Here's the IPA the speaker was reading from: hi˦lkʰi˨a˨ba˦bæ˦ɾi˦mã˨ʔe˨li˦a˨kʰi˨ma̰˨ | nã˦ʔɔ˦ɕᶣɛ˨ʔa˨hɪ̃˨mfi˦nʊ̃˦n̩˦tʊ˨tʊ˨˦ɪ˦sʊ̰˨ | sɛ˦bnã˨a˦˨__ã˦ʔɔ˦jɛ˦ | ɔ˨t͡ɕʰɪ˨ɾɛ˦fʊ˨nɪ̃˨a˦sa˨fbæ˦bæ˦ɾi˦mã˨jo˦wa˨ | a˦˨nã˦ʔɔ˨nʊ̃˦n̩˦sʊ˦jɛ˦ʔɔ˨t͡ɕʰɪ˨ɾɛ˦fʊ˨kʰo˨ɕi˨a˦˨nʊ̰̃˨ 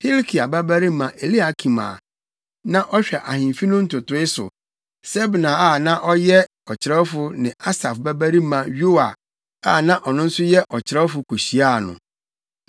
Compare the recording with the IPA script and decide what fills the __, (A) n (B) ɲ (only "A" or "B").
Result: A